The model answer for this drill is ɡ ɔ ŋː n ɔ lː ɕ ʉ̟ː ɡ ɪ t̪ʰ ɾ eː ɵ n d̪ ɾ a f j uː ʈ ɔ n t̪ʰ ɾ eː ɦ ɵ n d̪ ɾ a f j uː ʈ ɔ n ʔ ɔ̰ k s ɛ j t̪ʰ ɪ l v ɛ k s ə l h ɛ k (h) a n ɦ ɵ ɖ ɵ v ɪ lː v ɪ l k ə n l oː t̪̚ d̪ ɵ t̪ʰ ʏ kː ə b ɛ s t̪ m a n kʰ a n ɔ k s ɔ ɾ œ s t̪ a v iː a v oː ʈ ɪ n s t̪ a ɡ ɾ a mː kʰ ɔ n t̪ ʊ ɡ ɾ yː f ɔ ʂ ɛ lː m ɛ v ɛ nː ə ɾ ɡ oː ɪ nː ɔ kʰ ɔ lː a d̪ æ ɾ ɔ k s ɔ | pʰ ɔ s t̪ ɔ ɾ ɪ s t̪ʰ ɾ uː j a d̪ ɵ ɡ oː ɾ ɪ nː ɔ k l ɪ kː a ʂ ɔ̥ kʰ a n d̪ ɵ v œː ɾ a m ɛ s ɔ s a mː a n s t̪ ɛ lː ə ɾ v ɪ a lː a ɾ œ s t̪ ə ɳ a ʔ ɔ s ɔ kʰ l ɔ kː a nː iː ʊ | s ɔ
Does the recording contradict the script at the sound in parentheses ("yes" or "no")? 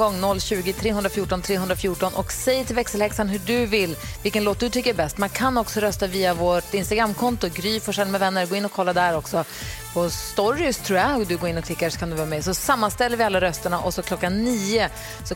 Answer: yes